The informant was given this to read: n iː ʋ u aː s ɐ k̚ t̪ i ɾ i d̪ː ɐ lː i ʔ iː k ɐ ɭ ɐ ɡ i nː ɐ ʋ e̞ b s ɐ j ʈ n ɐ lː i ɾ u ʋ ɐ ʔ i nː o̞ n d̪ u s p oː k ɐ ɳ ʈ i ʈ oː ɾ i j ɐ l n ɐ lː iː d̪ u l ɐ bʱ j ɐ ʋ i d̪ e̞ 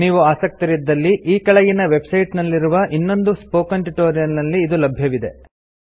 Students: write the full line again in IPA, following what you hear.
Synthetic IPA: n iː ʋ u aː s ɐ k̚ t̪ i ɾ i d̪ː ɐ lː i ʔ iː k ɐ ɭ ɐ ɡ i n ɐ ʋ e̞ b s ɐ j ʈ n ɐ lː i ɾ u ʋ ɐ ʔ i nː o̞ n d̪ u s p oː k ɐ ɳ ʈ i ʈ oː ɾ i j ɐ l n ɐ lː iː d̪ u l ɐ bʱ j ɐ ʋ i d̪ e̞